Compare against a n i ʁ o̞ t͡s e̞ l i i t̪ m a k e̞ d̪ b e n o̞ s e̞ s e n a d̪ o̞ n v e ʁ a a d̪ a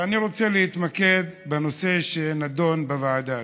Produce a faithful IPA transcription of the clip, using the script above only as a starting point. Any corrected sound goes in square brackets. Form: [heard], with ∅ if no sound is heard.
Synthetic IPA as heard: a n i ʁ o̞ t͡s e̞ l [e] i t̪ m a k e̞ d̪ b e n o̞ s e̞ [ʃ] e n a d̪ o̞ n [b] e [v] a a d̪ a